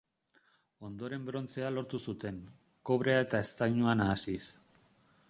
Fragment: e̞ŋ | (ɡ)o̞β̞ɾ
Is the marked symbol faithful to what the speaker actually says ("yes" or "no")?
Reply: no